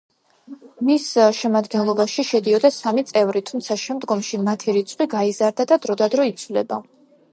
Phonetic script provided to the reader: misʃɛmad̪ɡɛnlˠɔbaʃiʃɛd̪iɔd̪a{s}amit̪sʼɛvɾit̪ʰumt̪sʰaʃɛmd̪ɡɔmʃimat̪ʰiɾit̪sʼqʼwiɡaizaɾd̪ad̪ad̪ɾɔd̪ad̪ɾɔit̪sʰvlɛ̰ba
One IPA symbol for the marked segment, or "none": s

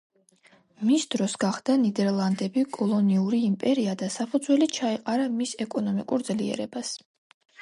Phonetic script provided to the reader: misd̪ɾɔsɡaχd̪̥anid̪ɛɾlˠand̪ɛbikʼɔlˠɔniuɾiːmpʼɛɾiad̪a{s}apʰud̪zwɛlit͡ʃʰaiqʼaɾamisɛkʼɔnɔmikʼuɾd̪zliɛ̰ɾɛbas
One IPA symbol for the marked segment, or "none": s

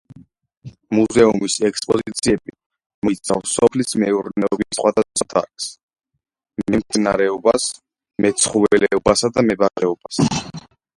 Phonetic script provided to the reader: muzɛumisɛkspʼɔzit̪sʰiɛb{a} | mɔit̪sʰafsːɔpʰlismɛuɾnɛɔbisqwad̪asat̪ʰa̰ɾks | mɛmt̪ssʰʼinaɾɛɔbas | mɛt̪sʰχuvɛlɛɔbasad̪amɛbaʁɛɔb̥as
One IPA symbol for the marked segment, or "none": i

